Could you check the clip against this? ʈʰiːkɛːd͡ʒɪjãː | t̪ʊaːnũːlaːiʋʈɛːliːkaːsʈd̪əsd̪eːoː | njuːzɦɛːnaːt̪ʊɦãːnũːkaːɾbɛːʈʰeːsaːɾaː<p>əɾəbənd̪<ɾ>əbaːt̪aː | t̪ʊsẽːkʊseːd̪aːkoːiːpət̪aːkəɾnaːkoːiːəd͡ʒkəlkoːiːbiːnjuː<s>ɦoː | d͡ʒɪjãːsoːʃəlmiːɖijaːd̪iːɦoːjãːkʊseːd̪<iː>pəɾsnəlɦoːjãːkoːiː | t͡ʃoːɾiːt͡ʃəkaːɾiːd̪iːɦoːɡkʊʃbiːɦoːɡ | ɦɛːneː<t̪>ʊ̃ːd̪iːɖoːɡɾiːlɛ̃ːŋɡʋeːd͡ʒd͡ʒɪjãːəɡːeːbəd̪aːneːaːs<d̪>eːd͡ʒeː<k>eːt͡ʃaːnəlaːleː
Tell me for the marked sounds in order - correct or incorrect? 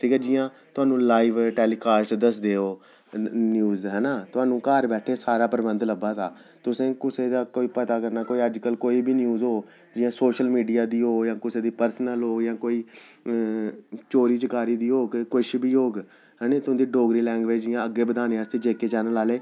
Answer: correct, incorrect, incorrect, correct, correct, incorrect, correct

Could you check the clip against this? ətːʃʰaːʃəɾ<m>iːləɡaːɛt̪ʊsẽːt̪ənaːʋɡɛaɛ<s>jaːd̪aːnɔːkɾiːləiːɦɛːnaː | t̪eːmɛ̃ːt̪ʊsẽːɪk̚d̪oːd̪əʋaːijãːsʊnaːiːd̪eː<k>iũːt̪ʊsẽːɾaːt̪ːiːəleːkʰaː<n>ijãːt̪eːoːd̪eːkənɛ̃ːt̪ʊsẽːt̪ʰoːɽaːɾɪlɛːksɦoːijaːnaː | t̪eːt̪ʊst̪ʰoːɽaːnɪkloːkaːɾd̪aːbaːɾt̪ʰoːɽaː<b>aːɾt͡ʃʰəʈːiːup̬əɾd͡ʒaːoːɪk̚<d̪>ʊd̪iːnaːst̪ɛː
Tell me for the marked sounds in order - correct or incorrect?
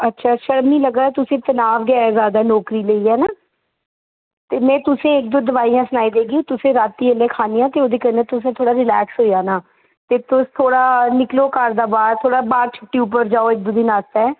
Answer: correct, incorrect, incorrect, correct, correct, correct

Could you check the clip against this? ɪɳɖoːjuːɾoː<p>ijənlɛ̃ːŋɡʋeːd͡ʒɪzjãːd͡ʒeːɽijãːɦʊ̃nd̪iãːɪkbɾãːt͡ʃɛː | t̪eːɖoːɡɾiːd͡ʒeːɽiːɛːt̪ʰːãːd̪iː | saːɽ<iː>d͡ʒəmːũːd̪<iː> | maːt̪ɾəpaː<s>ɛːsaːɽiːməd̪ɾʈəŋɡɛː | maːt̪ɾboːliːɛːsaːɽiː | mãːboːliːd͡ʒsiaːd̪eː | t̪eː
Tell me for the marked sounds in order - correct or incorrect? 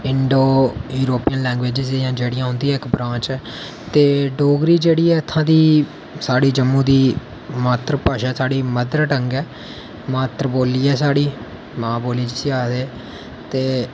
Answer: correct, correct, correct, incorrect

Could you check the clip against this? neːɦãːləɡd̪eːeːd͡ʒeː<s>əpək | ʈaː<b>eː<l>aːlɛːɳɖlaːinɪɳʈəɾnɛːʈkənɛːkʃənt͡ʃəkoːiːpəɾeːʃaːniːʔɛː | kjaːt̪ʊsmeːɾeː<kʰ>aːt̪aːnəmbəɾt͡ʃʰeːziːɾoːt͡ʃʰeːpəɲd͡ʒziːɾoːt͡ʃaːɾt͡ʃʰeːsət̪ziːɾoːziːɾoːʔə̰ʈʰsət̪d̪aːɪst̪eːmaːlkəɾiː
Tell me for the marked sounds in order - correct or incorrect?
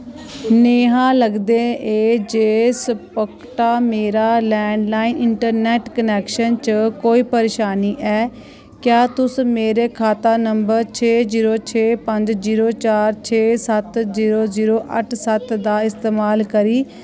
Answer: correct, incorrect, incorrect, correct

